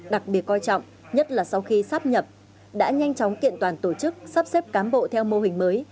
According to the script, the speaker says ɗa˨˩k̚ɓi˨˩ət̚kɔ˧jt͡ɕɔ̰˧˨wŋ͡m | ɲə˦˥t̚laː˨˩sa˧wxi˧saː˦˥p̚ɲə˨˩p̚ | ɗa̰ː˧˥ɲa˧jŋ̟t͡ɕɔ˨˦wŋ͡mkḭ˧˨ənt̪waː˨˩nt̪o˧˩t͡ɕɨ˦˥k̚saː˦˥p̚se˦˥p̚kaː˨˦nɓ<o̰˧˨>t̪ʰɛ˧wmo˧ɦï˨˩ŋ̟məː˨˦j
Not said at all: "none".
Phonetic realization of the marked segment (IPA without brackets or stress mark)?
o̰˧˨